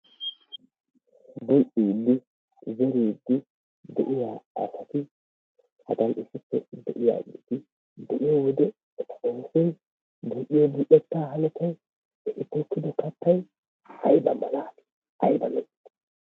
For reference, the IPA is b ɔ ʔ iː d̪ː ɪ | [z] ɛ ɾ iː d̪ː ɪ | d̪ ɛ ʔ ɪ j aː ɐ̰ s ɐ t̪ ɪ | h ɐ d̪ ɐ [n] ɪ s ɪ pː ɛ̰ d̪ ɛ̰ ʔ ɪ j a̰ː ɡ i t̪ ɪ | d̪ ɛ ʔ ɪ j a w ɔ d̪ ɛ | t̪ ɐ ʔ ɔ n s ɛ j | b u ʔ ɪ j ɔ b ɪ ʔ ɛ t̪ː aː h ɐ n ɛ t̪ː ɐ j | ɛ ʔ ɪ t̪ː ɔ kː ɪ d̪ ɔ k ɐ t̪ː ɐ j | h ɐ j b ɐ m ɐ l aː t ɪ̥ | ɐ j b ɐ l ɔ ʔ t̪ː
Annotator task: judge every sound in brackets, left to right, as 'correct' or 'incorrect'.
correct, correct

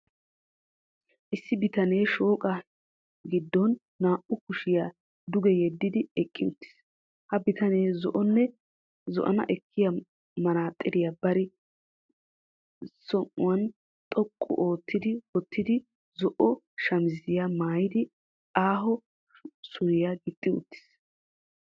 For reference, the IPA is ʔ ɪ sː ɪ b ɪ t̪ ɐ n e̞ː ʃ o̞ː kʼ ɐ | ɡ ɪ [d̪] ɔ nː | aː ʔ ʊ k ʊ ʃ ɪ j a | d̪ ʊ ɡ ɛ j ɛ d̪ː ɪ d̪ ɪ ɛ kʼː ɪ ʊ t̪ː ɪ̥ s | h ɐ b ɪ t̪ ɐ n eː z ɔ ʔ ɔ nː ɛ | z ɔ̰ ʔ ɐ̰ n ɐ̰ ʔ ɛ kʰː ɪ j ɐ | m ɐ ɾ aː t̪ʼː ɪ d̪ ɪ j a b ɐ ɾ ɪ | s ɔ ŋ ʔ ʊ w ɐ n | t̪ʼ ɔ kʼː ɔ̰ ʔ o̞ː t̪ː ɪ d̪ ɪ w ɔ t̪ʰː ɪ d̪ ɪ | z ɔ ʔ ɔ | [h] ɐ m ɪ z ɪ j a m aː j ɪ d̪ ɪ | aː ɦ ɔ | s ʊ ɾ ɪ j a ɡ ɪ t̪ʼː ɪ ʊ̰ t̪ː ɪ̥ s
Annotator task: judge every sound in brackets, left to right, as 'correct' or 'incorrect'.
incorrect, incorrect

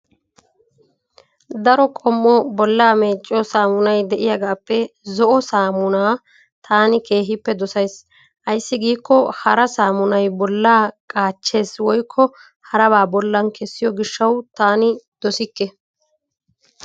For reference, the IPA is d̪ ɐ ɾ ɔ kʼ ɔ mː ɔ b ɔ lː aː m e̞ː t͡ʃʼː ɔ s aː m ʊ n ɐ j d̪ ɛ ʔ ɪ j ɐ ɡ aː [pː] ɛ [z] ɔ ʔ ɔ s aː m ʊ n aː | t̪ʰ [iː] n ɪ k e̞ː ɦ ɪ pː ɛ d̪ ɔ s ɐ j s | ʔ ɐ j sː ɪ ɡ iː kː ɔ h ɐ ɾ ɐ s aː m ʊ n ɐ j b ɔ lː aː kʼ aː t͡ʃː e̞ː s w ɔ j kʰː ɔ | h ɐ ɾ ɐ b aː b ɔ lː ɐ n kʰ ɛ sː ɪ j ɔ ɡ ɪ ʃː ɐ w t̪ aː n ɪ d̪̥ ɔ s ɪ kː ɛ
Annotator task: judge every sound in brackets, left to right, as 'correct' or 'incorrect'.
correct, correct, incorrect

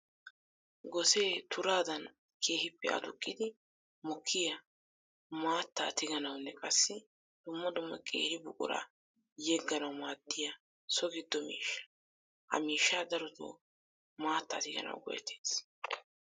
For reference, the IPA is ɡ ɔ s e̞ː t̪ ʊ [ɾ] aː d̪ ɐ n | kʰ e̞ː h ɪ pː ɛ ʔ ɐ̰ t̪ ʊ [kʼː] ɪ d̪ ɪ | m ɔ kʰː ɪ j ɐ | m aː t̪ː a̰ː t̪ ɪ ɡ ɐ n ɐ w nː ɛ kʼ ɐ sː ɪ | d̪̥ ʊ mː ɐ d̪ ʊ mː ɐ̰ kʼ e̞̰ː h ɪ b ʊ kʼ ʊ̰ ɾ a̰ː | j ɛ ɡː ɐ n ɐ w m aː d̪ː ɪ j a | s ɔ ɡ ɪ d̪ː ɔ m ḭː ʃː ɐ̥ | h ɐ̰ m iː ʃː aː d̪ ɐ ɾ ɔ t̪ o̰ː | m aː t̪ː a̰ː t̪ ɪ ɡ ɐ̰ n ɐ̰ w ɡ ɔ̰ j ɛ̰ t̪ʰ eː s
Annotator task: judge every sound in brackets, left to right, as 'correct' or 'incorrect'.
correct, correct

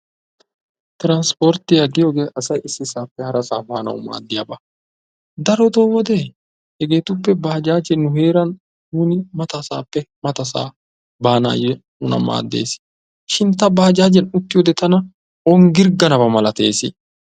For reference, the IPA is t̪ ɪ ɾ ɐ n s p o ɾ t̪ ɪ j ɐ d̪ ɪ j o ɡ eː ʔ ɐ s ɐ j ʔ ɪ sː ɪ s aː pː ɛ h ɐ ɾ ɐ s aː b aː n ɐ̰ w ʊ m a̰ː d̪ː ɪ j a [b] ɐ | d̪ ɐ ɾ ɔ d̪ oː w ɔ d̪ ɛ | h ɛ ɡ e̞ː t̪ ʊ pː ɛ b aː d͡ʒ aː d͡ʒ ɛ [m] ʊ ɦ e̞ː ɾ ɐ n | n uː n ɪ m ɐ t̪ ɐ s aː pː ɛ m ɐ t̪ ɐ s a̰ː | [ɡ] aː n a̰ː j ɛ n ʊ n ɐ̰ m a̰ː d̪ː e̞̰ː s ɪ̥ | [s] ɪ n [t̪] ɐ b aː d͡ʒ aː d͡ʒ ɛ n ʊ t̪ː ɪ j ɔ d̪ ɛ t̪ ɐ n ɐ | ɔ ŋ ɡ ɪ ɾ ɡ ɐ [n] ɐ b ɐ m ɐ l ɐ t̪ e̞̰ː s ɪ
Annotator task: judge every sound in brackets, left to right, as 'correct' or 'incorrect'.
correct, incorrect, incorrect, incorrect, correct, correct

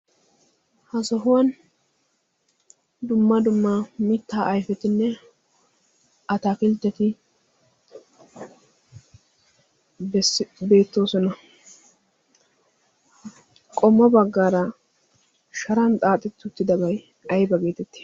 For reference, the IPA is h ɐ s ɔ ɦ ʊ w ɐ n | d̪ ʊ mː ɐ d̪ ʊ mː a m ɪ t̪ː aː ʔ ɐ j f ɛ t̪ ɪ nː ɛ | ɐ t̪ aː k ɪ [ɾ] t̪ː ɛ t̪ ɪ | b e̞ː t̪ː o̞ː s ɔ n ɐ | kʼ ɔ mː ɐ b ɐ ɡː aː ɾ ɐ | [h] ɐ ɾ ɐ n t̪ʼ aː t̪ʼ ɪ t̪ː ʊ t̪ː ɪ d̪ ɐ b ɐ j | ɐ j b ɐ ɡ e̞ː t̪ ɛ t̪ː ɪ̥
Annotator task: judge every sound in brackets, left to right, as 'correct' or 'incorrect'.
incorrect, incorrect

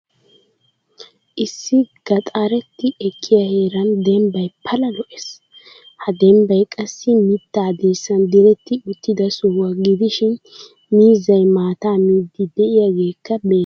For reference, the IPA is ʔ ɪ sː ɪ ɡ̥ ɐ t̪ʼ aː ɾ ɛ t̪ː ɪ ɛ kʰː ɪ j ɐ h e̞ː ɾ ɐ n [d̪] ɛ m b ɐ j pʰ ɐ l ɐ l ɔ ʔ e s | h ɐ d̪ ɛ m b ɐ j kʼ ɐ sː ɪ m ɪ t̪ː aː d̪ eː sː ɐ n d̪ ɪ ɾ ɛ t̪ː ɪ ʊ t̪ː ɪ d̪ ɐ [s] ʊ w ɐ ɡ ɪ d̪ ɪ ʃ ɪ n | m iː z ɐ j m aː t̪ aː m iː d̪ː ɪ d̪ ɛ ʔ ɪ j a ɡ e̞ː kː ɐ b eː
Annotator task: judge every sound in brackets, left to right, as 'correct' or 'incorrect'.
correct, correct

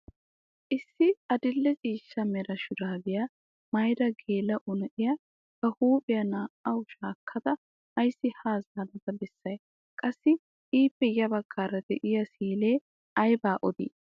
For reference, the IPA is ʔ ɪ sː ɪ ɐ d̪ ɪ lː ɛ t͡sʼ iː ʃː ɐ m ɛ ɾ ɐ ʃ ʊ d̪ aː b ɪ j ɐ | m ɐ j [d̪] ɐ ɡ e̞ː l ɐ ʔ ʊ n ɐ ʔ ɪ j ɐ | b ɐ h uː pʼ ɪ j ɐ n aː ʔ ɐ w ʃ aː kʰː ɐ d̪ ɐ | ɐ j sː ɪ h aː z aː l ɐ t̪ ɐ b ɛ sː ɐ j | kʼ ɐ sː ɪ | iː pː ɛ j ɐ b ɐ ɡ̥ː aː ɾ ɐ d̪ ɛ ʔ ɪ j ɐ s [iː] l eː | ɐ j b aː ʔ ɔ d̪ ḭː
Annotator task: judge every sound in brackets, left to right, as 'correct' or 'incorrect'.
correct, correct

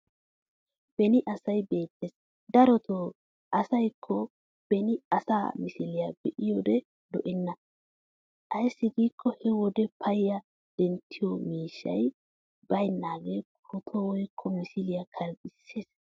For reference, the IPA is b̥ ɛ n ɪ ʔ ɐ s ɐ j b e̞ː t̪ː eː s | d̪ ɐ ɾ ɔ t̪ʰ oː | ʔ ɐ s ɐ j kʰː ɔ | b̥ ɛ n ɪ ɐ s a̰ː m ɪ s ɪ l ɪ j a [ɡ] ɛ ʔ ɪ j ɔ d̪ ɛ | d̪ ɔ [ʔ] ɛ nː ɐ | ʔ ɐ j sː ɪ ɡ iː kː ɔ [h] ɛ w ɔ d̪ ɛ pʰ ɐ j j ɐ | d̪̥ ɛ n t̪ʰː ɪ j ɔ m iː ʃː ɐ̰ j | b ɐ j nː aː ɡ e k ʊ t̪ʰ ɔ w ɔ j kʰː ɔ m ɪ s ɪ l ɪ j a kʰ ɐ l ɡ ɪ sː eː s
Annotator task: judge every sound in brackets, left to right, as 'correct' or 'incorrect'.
incorrect, correct, correct

